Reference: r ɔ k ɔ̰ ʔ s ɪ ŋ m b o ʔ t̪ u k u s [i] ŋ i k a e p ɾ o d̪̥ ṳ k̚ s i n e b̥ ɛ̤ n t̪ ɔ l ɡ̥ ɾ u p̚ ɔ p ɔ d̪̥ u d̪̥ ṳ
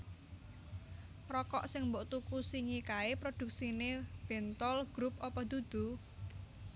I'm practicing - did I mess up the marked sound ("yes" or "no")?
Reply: no